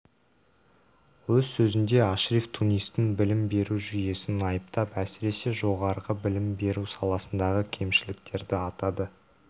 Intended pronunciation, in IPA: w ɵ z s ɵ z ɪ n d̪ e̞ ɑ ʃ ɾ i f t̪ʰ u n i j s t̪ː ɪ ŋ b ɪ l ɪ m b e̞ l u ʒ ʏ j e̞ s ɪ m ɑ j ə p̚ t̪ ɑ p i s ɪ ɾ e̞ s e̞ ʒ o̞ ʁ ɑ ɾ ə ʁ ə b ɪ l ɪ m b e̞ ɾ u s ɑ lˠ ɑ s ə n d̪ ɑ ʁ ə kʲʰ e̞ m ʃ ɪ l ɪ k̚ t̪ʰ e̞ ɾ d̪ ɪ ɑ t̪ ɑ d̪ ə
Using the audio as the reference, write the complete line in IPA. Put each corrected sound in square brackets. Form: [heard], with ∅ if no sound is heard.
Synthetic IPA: w ɵ z s ɵ z ɪ n d̪ e̞ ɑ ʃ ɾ i f t̪ʰ u n i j s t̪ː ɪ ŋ b ɪ l ɪ m b e̞ [ɾ] u ʒ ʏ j e̞ s ɪ [n] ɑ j ə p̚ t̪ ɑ p [æ] s ɪ ɾ e̞ s e̞ ʒ o̞ ʁ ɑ ɾ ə ʁ ə b ɪ l ɪ m b e̞ ɾ u s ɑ lˠ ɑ s ə n d̪ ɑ ʁ ə kʲʰ e̞ m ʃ ɪ l ɪ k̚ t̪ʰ e̞ ɾ d̪ ɪ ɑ t̪ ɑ d̪ ə

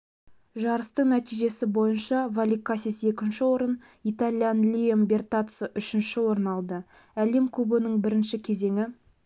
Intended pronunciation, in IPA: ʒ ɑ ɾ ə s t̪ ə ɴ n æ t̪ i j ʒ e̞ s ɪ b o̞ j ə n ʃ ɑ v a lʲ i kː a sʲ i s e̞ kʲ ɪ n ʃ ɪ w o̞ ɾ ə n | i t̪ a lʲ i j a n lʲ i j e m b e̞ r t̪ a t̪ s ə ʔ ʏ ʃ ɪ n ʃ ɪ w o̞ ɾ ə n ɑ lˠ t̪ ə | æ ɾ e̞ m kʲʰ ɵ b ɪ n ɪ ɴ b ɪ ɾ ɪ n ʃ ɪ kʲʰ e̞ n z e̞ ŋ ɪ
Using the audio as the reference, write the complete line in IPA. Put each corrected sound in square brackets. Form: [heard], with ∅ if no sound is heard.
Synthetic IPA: ʒ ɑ ɾ ə s t̪ ə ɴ n æ t̪ i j ʒ e̞ s ɪ b o̞ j ə n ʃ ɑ v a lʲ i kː a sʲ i s e̞ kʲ ɪ n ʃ ɪ w o̞ ɾ ə n | i t̪ a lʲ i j a n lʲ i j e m b e̞ r t̪ a t̪ s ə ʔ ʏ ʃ ɪ n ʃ ɪ w o̞ ɾ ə n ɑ lˠ [d̪] ə | æ [l] e̞ m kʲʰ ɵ b ɪ n ɪ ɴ b ɪ ɾ ɪ n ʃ ɪ kʲʰ e̞ [∅] z e̞ ŋ ɪ

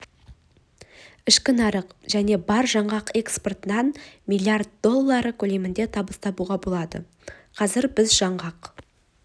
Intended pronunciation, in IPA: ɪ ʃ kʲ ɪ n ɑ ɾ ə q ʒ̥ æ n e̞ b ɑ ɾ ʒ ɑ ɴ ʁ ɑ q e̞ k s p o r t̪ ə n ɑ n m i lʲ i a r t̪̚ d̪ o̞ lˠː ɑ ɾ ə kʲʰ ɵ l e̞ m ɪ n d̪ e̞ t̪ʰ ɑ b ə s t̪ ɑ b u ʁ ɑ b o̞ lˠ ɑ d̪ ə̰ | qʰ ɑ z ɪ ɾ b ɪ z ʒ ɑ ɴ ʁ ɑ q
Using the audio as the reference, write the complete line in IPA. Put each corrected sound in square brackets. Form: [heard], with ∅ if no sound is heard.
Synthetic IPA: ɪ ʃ kʲ ɪ n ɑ ɾ ə q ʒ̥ æ n e̞ b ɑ ɾ ʒ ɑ ɴ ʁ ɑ q e̞ k s p o r t̪ ə n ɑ n m i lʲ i a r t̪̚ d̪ o̞ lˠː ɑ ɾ ə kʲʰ ɵ l e̞ m ɪ n d̪ e̞ t̪ʰ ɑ b ə s t̪ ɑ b u ʁ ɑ b o̞ lˠ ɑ d̪ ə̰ | qʰ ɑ z ɪ ɾ b ɪ z ʒ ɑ ɴ ʁ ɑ q

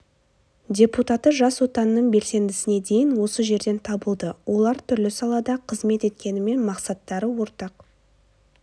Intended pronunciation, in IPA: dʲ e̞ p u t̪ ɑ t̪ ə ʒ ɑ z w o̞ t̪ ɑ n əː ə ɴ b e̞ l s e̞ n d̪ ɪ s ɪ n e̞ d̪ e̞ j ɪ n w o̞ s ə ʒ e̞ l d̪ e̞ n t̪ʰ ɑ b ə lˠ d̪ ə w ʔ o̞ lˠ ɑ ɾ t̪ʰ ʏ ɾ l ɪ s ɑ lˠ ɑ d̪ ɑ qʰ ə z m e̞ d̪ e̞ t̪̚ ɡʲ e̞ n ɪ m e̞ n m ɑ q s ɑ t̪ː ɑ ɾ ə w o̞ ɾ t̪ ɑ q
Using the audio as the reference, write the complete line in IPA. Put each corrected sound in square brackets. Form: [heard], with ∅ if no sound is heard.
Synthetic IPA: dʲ e̞ p u t̪ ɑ t̪ ə ʒ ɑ [s] w o̞ t̪ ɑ n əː ə ɴ b e̞ l s e̞ n d̪ ɪ s ɪ n e̞ d̪ e̞ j ɪ n w o̞ s ə ʒ e̞ [ɾ] d̪ e̞ n t̪ʰ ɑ b ə lˠ d̪ ə w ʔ o̞ lˠ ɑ ɾ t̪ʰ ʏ ɾ l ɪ s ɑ lˠ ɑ d̪ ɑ qʰ ə z m e̞ [t̪] e̞ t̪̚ [kʲ] e̞ n ɪ m e̞ n m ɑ q s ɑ t̪ː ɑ ɾ ə w o̞ ɾ t̪ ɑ q

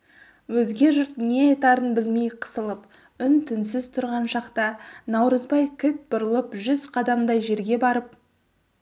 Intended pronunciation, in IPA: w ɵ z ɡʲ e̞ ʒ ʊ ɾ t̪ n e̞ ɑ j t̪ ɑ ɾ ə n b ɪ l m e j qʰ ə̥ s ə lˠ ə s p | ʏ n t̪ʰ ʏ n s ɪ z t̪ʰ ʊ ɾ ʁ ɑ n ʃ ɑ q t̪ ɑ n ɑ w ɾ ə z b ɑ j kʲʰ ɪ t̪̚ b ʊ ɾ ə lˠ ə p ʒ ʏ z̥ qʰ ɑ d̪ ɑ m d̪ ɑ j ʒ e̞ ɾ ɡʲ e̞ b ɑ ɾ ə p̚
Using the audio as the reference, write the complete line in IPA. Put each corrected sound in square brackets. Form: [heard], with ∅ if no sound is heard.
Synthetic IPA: w ɵ z ɡʲ e̞ ʒ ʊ ɾ t̪ n e̞ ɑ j t̪ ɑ ɾ ə n b ɪ l m e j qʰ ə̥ s ə lˠ ə [∅] p | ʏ n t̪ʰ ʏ n s ɪ z t̪ʰ ʊ ɾ ʁ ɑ n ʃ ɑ q t̪ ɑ n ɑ w ɾ ə z b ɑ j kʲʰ ɪ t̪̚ b ʊ ɾ ə lˠ ə p ʒ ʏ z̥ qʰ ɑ d̪ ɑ m d̪ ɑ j ʒ e̞ ɾ ɡʲ e̞ b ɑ ɾ ə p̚

